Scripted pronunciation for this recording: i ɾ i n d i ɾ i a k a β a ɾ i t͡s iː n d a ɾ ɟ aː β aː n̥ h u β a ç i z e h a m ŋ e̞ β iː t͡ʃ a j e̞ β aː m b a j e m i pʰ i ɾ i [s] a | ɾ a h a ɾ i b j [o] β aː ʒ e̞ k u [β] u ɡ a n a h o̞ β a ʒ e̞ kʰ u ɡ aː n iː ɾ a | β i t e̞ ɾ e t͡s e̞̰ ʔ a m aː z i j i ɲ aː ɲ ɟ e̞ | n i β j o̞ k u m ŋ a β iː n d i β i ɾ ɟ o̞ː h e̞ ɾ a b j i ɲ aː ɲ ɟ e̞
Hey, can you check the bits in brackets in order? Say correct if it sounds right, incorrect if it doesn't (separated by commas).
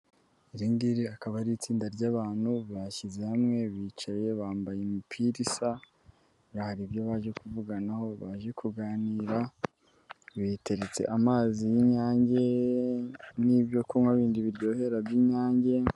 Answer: correct, correct, incorrect